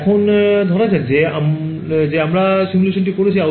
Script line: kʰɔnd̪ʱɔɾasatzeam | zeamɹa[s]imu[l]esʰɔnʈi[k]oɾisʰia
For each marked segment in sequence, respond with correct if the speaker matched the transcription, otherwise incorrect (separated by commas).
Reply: correct, correct, correct